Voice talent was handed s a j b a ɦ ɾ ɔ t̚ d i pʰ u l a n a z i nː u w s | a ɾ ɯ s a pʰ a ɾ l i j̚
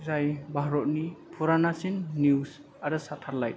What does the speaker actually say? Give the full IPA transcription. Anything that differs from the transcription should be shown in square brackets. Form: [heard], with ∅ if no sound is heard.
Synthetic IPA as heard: [z] a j b a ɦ ɾ ɔ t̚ [n] i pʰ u [ɾ] a n a [s] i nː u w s | a ɾ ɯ s a [tʰ] a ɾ l [a] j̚